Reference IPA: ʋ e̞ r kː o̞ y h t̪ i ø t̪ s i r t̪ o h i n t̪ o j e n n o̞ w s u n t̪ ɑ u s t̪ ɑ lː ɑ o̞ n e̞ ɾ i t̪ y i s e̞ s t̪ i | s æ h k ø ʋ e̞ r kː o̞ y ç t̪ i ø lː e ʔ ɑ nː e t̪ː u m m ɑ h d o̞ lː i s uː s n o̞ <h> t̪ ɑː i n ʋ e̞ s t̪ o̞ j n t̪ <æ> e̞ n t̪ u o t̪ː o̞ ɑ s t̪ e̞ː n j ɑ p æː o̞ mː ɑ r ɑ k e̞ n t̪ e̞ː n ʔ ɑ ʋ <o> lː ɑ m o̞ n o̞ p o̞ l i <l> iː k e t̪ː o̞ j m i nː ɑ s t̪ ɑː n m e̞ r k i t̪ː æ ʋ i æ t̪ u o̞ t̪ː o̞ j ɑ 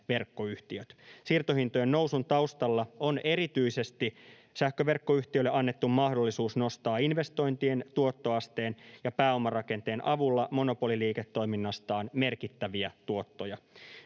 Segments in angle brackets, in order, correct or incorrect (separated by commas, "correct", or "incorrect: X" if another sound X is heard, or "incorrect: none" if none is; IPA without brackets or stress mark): incorrect: s, incorrect: i, incorrect: u, correct